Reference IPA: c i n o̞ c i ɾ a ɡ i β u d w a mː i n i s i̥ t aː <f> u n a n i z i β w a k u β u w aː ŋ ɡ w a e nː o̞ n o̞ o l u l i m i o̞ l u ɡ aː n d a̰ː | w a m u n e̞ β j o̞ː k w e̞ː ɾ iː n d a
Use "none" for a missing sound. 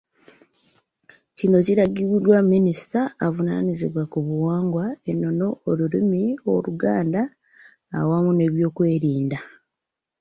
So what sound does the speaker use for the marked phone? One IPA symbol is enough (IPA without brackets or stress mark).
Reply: v